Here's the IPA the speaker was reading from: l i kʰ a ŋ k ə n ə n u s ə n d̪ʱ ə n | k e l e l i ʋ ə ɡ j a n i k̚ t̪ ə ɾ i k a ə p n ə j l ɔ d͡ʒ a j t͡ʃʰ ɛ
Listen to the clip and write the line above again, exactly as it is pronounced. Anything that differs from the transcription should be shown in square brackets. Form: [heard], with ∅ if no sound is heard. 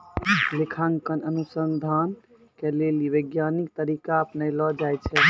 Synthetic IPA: l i kʰ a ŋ k ə n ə n u s ə n d̪ʱ [a] n | k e l e l i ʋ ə ɡ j a n i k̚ t̪ ə ɾ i k a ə p n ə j l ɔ d͡ʒ a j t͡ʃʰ ɛ